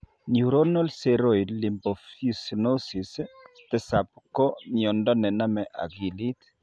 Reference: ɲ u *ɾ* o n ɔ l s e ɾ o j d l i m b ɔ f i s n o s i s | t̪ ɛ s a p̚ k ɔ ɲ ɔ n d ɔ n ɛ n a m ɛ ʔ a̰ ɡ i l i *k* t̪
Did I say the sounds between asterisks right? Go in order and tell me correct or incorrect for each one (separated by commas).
correct, incorrect